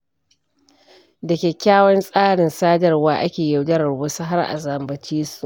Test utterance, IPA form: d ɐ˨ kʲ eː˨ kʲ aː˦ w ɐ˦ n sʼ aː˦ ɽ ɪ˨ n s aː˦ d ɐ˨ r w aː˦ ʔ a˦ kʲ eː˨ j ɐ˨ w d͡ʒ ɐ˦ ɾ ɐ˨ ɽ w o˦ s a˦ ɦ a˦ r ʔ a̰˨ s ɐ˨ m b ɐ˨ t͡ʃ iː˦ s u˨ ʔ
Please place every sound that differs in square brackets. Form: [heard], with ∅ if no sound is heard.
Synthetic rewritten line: d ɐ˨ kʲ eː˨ kʲ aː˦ w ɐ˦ n sʼ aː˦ ɽ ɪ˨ n s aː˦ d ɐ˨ r w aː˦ ʔ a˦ kʲ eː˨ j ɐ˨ w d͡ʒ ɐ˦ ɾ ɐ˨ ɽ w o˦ s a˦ ɦ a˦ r ʔ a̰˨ [z] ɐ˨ m b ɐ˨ t͡ʃ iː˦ s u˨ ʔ